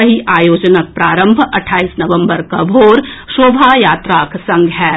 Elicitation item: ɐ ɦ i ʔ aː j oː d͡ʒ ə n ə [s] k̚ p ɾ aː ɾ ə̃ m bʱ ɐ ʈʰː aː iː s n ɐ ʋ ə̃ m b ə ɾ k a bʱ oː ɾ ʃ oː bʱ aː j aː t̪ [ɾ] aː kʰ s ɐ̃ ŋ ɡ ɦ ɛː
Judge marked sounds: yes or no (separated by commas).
no, yes